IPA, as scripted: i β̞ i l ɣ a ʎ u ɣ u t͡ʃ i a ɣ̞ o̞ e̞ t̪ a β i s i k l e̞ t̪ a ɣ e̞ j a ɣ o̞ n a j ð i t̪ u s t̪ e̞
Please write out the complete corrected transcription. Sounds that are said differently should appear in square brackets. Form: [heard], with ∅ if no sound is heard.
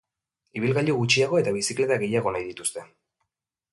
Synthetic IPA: i β̞ i l ɣ a ʎ u ɣ u t͡ʃ i a ɣ̞ o̞ e̞ t̪ a β i s i k l e̞ t̪ a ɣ e̞ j a ɣ o̞ n a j ð i t̪ u s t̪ e̞